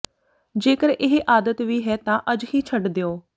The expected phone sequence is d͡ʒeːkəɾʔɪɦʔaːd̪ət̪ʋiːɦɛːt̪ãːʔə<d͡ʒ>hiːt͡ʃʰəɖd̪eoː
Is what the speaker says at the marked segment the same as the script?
yes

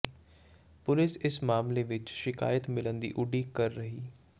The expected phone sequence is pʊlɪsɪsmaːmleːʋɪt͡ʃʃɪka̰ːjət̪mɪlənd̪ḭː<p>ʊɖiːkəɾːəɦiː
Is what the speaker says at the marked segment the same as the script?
no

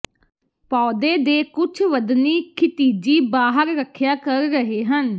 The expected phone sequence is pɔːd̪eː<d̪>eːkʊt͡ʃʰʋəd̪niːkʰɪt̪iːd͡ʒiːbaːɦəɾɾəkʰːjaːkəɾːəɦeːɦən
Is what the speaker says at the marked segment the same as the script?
yes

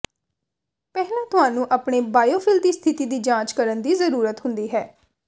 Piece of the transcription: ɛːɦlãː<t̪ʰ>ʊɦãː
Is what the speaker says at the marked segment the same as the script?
no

